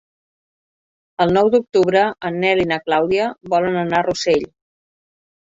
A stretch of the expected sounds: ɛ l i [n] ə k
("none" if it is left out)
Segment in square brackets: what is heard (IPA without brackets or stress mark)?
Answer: n